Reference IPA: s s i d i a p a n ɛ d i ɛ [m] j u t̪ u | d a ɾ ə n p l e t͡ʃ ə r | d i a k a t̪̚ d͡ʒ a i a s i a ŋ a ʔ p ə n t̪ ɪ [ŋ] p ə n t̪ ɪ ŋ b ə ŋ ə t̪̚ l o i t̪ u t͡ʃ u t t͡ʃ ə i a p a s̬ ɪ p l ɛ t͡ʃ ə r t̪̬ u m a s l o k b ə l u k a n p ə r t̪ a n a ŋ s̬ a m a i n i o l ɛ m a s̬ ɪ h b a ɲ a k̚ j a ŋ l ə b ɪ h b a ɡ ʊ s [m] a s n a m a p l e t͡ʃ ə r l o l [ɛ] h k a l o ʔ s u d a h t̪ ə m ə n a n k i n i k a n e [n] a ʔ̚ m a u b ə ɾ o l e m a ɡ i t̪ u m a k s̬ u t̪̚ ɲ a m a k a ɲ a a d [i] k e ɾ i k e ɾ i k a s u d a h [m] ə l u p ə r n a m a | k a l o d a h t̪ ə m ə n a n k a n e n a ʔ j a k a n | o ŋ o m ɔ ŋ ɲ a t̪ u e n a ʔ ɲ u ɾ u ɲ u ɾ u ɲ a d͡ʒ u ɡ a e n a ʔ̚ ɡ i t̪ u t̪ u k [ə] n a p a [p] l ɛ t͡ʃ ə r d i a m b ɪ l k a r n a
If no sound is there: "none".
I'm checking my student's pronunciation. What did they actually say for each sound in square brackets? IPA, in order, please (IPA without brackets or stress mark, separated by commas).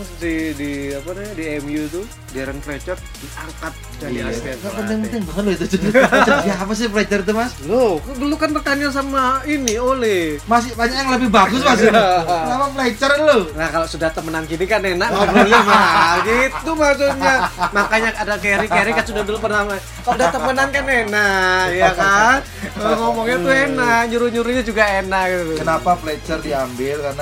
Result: m, ŋ, m, a, n, a, b, ə, p